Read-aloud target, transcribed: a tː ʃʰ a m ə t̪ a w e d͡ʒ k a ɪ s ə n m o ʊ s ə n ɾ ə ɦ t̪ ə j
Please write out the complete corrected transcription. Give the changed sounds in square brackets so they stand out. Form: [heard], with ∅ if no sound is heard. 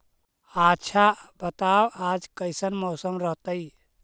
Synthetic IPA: a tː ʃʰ a [b] ə t̪ a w [a] d͡ʒ k [ə] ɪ s ə n m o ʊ s ə [m] ɾ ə ɦ t̪ ə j